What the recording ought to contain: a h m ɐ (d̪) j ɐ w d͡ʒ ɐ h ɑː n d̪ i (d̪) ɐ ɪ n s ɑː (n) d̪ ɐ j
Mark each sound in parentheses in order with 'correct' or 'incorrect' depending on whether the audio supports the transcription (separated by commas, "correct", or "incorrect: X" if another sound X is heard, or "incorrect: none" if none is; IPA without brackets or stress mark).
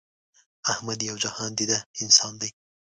correct, correct, correct